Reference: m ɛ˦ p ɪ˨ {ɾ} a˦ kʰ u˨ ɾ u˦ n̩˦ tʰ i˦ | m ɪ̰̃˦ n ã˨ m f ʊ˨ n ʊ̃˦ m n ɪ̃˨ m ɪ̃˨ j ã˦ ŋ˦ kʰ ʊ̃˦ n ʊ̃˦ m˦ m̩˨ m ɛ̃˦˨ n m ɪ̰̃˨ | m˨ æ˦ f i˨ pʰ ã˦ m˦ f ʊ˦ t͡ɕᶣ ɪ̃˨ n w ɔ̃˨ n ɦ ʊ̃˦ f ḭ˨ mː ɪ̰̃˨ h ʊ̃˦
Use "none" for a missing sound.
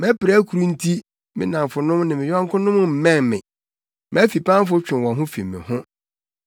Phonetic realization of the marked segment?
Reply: ɾ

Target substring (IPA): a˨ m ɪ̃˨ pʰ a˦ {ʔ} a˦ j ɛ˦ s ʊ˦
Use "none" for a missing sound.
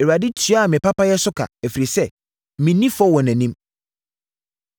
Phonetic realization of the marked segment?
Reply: p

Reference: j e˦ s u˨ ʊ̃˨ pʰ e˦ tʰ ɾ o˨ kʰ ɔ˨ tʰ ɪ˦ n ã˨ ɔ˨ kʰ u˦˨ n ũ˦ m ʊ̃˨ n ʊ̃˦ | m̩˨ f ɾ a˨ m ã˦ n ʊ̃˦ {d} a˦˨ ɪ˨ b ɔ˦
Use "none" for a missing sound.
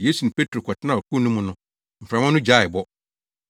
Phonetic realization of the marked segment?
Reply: d͡ʑ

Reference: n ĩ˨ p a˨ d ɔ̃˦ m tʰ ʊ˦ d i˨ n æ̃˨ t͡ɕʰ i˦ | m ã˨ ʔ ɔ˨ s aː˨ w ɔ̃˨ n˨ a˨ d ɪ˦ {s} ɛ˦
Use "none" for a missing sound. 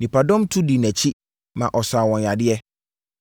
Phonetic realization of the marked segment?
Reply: none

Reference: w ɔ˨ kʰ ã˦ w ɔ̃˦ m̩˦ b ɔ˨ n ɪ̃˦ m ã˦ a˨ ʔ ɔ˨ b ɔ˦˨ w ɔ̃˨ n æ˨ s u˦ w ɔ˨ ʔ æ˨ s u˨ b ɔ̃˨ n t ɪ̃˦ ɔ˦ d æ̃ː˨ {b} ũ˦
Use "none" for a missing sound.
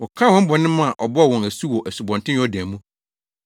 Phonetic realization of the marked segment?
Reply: m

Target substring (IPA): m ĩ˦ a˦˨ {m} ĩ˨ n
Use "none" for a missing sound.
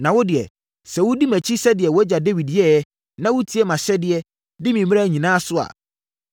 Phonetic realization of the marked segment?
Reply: ɲ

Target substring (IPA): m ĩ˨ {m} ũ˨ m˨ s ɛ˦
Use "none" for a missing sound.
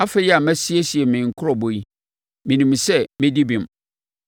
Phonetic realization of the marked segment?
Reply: n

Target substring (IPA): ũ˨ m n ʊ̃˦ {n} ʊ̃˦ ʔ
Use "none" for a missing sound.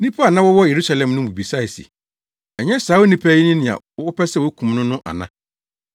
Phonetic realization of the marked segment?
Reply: n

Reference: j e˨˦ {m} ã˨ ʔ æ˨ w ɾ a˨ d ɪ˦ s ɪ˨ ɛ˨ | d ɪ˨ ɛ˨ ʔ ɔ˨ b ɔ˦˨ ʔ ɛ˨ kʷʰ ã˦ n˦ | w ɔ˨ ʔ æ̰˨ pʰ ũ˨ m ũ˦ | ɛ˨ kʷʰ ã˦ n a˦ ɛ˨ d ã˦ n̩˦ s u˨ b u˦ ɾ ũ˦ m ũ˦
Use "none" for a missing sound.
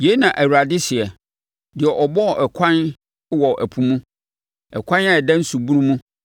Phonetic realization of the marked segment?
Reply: n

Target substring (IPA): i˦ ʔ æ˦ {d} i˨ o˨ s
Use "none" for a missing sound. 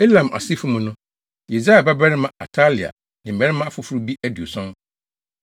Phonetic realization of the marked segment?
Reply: d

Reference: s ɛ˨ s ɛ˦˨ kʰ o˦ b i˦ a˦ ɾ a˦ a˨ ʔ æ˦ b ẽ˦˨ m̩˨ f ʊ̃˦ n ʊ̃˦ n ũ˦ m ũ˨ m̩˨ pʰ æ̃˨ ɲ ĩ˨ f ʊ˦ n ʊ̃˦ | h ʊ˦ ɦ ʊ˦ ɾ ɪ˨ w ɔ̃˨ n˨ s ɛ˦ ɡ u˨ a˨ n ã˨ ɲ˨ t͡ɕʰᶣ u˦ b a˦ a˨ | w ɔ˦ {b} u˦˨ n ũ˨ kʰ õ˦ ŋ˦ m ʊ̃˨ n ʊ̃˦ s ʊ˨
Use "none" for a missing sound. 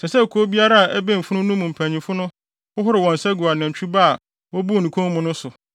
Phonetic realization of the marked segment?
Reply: b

